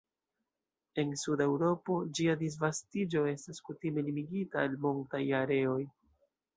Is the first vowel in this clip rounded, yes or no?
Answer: no